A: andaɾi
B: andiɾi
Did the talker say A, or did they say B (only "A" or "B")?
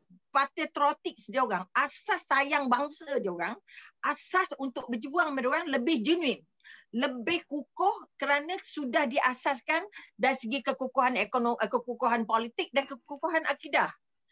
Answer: A